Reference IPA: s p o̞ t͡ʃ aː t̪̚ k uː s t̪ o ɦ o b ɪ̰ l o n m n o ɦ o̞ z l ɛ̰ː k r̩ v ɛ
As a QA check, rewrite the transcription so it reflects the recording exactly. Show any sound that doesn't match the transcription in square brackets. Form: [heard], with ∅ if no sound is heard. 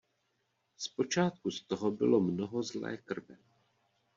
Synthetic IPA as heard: s p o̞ t͡ʃ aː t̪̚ k [u] s t̪ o ɦ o b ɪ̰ l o [∅] m n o ɦ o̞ z l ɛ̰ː k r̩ v ɛ